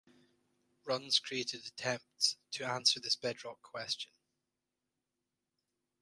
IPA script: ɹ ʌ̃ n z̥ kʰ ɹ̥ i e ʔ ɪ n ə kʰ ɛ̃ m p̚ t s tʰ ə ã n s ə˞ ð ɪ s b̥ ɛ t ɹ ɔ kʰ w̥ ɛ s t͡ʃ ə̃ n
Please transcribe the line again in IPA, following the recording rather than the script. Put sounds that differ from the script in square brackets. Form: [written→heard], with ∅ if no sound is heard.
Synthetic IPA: ɹ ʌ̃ n z̥ kʰ ɹ̥ i e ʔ ɪ [n→d] ə [kʰ→tʰ] ɛ̃ m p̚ t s tʰ ə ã n s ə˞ ð ɪ s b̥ ɛ [t→d] ɹ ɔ kʰ w̥ ɛ s t͡ʃ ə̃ n